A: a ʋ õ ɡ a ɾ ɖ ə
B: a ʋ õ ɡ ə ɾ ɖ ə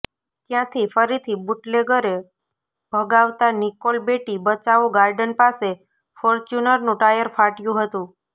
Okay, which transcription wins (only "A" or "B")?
A